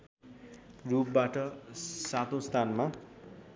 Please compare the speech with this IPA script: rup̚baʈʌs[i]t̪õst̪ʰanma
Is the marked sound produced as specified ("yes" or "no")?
no